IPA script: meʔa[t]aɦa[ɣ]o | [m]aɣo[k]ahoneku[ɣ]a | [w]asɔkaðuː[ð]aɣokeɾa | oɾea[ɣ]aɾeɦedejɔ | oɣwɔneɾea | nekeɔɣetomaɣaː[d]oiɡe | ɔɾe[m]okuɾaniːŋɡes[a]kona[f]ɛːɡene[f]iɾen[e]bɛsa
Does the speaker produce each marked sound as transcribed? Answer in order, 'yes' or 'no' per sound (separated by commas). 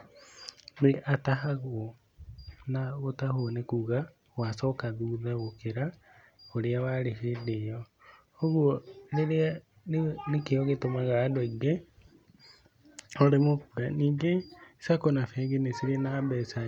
yes, yes, no, no, yes, yes, yes, no, yes, yes, yes, yes, no, no